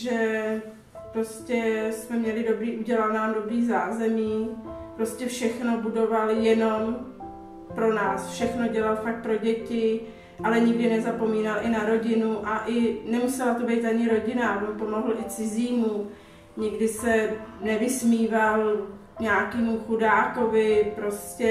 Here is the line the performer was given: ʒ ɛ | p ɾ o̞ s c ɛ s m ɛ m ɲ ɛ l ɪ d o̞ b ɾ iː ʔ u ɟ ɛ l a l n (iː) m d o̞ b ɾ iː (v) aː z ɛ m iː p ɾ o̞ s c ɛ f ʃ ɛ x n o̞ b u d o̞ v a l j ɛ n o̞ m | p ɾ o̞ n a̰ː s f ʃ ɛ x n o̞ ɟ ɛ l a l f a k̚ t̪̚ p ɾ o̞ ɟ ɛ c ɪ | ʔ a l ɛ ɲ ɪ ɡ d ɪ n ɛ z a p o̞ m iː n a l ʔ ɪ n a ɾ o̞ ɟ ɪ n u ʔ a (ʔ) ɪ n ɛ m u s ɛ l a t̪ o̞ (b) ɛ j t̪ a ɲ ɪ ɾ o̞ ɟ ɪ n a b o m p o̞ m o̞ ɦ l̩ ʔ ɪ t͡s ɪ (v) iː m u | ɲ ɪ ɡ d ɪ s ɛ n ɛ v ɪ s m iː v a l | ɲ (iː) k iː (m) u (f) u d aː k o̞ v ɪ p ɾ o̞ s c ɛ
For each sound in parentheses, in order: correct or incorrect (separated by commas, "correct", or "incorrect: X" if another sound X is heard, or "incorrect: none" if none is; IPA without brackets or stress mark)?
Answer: incorrect: aː, incorrect: z, correct, correct, incorrect: z, incorrect: aː, correct, incorrect: x